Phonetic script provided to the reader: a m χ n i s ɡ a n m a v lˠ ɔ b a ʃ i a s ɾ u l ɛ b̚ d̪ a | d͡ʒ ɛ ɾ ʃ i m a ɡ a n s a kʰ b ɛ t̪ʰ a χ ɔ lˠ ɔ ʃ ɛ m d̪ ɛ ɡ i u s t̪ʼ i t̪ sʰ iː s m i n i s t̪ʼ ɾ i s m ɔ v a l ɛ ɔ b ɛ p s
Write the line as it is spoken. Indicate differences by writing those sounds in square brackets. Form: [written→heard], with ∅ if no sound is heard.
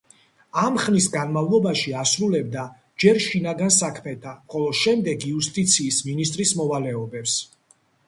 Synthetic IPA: a m χ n i s ɡ a n m a v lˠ ɔ b a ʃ i a s ɾ u l ɛ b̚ d̪ a | d͡ʒ ɛ ɾ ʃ i [m→n] a ɡ a n s a kʰ [b→m] ɛ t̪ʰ a χ ɔ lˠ ɔ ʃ ɛ m d̪ ɛ ɡ i u s t̪ʼ i t̪ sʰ iː s m i n i s t̪ʼ ɾ i s m ɔ v a l ɛ ɔ b ɛ p s